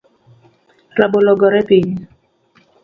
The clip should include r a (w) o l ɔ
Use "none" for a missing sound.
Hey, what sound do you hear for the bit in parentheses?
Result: b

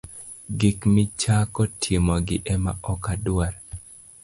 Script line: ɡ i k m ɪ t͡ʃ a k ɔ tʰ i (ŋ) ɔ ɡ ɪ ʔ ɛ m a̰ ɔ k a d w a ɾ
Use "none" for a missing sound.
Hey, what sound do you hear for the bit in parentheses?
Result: m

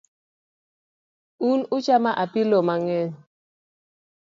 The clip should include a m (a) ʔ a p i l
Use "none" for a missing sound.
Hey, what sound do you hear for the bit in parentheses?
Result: a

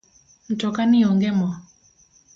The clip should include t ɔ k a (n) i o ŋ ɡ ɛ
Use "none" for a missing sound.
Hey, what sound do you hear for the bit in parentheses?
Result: n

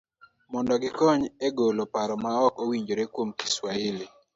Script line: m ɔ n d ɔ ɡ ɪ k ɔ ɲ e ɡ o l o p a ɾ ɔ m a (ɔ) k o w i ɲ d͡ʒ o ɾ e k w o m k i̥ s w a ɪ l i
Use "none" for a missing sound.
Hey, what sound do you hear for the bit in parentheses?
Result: ɔ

